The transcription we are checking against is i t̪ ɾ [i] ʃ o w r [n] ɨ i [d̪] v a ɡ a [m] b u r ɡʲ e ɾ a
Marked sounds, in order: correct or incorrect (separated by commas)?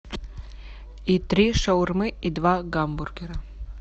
correct, incorrect, correct, correct